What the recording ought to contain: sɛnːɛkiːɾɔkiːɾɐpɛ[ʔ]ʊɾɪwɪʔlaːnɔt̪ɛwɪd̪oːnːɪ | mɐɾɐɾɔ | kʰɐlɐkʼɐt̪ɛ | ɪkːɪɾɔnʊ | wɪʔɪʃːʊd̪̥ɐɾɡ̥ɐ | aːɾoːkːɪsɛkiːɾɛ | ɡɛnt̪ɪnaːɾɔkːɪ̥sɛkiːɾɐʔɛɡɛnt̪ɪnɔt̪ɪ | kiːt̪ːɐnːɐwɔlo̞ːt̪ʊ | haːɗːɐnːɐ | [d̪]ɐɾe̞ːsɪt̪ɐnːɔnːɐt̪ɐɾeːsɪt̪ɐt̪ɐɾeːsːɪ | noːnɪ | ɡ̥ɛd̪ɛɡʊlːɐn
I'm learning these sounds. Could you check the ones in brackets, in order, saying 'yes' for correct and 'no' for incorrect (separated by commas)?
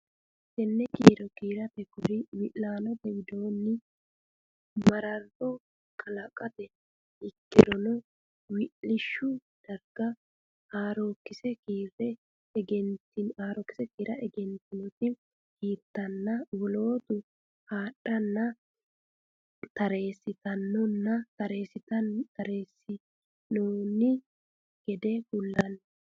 no, no